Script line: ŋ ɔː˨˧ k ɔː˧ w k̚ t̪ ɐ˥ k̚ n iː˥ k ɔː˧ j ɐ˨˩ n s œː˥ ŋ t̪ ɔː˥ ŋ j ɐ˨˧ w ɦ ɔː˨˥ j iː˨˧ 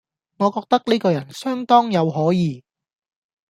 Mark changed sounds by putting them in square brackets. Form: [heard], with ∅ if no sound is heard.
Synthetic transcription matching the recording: ŋ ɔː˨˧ k ɔː˧ [∅] k̚ t̪ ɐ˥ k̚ n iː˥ k ɔː˧ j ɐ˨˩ n s œː˥ ŋ t̪ ɔː˥ ŋ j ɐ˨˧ w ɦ ɔː˨˥ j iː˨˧